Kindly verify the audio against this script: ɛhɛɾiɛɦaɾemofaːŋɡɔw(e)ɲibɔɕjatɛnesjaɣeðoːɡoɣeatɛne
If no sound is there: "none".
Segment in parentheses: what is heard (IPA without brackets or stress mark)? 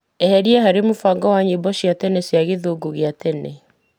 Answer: a